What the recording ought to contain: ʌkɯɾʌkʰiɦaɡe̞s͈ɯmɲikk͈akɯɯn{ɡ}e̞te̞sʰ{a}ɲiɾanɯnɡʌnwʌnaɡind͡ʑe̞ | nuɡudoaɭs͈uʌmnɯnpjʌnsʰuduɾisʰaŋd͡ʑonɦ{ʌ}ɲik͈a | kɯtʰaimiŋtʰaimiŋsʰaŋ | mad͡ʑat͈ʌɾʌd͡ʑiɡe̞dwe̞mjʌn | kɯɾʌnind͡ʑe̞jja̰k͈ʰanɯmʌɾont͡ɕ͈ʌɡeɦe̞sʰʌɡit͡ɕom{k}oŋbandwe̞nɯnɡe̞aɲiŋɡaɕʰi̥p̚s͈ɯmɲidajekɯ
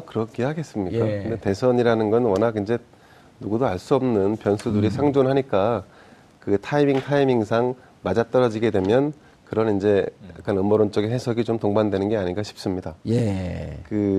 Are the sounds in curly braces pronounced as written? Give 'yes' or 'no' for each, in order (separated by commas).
no, no, no, no